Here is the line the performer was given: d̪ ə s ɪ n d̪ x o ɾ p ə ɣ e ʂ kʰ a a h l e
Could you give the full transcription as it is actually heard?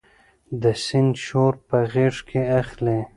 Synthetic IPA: d̪ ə s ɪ n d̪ ʃ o ɾ p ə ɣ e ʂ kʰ e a x l e